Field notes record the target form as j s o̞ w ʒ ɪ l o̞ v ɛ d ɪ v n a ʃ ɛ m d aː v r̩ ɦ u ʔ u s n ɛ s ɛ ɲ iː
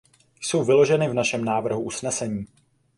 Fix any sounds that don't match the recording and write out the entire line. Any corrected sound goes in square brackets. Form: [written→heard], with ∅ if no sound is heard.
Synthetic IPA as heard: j s o̞ w [ʒ→v] ɪ l o̞ [v→ʒ] ɛ [d→n] ɪ v n a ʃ ɛ m [d→n] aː v r̩ ɦ u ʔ u s n ɛ s ɛ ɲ iː